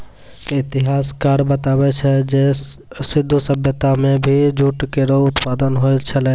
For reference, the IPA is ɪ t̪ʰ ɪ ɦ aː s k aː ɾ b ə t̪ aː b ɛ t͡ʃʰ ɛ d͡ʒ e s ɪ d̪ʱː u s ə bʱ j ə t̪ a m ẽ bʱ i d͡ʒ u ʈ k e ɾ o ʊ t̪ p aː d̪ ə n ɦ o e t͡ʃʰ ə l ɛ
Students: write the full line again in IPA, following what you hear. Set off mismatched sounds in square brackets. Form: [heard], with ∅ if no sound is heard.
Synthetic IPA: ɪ [t̪] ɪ ɦ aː s k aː ɾ b ə t̪ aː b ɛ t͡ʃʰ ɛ d͡ʒ e s ɪ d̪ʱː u s ə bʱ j ə t̪ a m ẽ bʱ i d͡ʒ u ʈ k e ɾ o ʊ t̪ p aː d̪ ə n ɦ o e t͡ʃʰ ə l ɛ